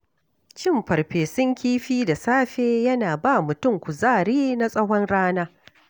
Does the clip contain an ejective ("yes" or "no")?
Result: yes